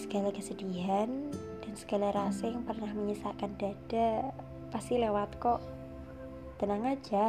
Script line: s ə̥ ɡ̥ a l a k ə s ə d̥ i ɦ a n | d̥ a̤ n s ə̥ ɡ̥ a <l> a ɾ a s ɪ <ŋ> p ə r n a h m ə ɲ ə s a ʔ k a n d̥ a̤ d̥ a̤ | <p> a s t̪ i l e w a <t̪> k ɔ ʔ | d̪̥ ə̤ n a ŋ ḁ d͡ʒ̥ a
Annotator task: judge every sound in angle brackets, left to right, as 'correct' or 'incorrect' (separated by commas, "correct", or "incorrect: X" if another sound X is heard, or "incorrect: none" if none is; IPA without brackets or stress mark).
correct, correct, correct, correct